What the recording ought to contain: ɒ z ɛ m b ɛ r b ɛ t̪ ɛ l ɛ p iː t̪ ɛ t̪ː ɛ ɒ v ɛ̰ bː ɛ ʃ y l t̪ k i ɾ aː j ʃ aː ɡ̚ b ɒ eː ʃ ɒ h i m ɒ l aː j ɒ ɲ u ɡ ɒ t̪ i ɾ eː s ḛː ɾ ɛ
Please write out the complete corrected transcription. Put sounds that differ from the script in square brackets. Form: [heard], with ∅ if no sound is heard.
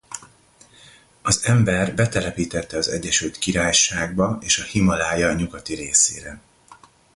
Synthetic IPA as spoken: ɒ z ɛ m b ɛ r b ɛ t̪ ɛ l ɛ p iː t̪ ɛ t̪ː ɛ ɒ [z] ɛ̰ [ɟː] ɛ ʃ y l t̪ k i ɾ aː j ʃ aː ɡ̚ b ɒ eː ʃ ɒ h i m ɒ l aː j ɒ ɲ u ɡ ɒ t̪ i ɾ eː s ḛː ɾ ɛ